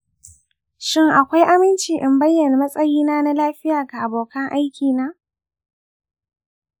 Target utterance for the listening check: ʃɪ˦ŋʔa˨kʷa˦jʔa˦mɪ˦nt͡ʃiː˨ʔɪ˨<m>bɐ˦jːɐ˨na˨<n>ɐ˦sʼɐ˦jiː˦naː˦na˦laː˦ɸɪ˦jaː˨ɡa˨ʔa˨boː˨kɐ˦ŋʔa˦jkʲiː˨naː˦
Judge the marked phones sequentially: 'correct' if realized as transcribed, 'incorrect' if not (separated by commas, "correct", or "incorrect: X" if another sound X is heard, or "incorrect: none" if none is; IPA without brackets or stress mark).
correct, incorrect: m